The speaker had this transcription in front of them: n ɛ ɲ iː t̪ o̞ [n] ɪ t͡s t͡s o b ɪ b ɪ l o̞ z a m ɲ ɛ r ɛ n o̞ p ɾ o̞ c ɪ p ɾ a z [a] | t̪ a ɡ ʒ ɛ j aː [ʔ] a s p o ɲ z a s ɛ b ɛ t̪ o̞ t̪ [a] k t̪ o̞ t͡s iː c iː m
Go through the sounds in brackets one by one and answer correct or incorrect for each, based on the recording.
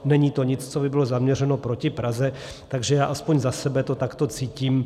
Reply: incorrect, incorrect, correct, correct

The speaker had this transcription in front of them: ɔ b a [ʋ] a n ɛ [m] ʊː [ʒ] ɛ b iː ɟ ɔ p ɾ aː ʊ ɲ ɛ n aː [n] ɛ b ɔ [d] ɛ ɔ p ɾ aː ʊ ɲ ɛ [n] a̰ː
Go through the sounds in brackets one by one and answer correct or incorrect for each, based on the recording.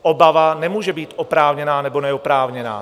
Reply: correct, correct, correct, correct, incorrect, correct

